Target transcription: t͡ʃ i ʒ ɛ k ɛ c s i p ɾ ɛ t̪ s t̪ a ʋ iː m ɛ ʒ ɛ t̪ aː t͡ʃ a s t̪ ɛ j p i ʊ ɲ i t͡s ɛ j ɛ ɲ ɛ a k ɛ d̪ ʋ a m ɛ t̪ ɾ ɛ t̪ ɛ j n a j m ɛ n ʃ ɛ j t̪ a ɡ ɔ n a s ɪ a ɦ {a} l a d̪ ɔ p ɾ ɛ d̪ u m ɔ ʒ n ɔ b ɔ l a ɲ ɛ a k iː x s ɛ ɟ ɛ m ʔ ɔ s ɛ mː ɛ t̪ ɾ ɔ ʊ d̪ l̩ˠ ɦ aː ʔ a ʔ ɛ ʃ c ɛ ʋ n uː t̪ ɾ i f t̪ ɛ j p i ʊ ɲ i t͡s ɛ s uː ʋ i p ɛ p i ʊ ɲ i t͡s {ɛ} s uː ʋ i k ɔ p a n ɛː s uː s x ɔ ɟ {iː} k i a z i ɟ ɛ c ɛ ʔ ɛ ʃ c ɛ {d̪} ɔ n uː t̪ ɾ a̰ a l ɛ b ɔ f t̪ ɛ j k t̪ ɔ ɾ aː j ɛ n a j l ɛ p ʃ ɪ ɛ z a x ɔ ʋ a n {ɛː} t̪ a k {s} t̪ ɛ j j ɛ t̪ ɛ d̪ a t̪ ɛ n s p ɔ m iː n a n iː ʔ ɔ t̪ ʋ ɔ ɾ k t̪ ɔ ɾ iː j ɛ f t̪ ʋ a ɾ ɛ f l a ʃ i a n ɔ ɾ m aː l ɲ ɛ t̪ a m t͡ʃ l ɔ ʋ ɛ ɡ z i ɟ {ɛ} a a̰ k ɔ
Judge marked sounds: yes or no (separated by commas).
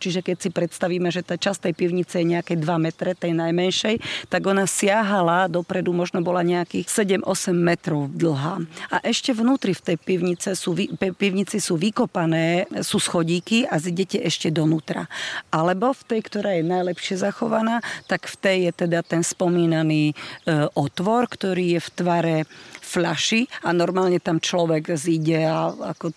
yes, no, yes, yes, no, no, yes